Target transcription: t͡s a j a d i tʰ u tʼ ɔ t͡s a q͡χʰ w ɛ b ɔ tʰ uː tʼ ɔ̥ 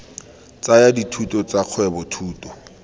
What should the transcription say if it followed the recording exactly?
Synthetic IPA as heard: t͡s a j a d i tʰ u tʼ ɔ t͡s a q͡χʰ w ɛ b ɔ tʰ uː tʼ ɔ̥